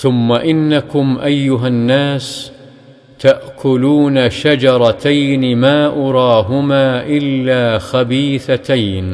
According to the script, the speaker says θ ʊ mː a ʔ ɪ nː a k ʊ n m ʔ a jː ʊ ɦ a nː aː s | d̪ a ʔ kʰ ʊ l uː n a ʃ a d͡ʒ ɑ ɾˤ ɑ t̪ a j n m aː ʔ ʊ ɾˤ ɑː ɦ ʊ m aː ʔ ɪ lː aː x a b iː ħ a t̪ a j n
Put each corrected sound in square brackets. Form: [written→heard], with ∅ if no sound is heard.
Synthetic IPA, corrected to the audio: θ ʊ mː a ʔ ɪ nː a k ʊ [n→∅] m ʔ a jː ʊ ɦ a nː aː s | [d̪→t̪] a ʔ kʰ ʊ l uː n a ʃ a d͡ʒ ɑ ɾˤ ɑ t̪ a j n m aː ʔ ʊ ɾˤ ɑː ɦ ʊ m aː ʔ ɪ lː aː x a b iː [ħ→θ] a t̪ a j n